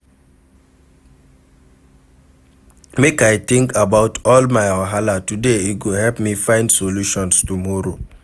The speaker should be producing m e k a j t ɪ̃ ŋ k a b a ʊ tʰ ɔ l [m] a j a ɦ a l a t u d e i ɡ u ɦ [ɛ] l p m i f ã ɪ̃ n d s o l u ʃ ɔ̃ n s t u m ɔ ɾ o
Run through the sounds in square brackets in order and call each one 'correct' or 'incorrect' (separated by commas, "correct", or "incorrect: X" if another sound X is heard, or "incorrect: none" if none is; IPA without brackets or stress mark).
correct, correct